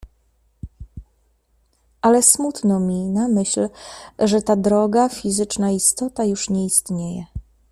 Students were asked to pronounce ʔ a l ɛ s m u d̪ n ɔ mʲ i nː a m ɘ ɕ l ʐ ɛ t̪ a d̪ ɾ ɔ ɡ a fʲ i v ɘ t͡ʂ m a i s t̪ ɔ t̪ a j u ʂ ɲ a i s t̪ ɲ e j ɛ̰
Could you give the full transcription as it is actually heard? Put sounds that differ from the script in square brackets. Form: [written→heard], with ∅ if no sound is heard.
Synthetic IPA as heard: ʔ a l ɛ s m u [d̪→t̪] n ɔ mʲ i [nː→n] a m ɘ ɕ l ʐ ɛ t̪ a d̪ ɾ ɔ ɡ a fʲ i [v→z] ɘ t͡ʂ [m→n] a i s t̪ ɔ t̪ a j u ʂ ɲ [a→ɛ] i s t̪ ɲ e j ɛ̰